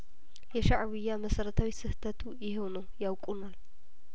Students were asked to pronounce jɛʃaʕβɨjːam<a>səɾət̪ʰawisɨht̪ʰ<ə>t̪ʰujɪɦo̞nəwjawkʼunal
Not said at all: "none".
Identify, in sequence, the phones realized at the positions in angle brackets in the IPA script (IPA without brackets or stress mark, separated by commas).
ə, ə